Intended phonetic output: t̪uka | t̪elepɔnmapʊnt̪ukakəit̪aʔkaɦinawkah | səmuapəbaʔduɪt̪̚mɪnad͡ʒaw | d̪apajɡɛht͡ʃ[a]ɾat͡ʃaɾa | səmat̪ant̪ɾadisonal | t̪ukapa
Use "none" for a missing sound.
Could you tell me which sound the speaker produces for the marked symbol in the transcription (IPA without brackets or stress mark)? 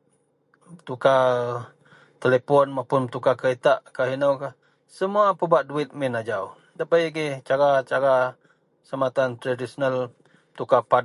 a